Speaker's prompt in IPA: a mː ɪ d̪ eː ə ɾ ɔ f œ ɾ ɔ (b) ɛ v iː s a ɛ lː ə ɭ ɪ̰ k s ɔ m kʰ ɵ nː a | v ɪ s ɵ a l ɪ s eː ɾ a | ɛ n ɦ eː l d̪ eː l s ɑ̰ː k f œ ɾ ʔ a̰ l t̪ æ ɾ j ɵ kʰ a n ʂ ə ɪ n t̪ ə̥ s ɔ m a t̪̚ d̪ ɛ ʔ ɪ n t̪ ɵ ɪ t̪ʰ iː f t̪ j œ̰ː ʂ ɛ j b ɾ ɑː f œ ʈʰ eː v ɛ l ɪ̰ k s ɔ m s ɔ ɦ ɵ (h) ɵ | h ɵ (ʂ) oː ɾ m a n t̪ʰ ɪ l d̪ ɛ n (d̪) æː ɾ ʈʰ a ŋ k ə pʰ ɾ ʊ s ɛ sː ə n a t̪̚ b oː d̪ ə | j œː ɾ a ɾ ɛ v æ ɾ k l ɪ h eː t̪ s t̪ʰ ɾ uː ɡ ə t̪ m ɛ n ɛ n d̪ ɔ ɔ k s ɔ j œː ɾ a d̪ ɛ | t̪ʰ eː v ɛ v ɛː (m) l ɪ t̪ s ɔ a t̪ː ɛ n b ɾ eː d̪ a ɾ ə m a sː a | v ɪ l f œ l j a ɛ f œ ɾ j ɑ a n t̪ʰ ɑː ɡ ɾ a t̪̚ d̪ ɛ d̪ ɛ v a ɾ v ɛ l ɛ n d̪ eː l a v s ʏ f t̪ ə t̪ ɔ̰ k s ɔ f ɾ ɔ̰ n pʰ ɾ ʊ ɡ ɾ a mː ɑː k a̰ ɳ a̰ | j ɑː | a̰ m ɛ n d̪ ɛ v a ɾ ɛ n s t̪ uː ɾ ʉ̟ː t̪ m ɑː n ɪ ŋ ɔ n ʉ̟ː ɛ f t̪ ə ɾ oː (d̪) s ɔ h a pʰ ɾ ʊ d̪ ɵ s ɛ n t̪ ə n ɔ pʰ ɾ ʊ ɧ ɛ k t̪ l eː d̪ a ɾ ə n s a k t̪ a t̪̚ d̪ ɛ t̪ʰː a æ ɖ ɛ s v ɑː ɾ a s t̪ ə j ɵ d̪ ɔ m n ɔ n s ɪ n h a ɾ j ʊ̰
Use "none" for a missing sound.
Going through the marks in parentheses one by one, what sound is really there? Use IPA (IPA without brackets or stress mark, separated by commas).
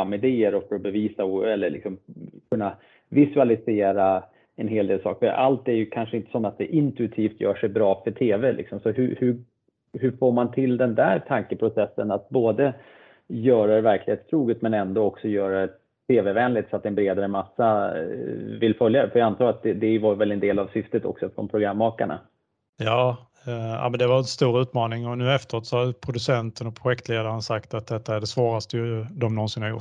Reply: b, h, f, d̪, n, t̪